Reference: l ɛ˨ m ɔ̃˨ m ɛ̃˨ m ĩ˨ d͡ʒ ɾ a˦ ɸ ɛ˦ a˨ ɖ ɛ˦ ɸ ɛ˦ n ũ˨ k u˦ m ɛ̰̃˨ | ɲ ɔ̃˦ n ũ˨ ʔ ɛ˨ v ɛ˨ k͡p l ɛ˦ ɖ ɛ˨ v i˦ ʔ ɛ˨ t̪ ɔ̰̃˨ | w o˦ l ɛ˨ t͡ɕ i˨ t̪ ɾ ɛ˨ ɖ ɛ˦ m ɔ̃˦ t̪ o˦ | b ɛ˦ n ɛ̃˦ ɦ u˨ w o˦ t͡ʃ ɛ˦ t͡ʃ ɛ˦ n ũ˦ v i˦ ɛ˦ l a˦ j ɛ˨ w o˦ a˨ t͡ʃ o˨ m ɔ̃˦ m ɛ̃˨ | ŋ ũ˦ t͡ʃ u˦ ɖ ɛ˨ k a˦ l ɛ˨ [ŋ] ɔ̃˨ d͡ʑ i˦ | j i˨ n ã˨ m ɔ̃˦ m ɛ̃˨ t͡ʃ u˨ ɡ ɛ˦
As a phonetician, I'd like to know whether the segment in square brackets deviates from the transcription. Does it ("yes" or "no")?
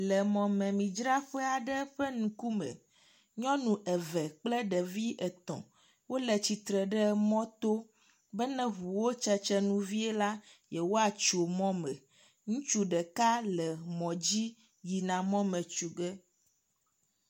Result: yes